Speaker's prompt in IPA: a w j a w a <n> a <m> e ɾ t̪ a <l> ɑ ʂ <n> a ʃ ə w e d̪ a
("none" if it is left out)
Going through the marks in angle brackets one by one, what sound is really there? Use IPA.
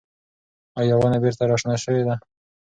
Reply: n, b, ɾ, n

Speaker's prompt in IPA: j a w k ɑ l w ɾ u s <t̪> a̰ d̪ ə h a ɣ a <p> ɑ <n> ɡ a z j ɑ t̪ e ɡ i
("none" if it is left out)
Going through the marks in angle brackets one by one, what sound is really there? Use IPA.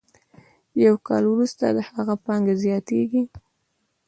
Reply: t̪, p, ŋ

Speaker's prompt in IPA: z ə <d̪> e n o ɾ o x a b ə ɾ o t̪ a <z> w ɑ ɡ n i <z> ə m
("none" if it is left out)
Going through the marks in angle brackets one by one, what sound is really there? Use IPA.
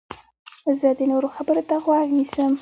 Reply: d̪, ɣ, s

